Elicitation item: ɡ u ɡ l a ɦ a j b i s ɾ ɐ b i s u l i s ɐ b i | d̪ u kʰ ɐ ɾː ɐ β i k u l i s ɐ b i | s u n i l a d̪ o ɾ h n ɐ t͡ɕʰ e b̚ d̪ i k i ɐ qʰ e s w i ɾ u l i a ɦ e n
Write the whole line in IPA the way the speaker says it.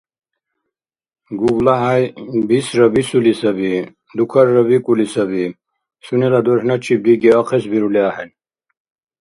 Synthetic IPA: ɡ u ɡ l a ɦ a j b i s ɾ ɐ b i s u l i s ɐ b i | d̪ u kʰ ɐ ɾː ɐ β i k u l i s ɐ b i | s u n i l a d̪ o ɾ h n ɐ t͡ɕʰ i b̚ d̪ i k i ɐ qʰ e s b i ɾ u l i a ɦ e n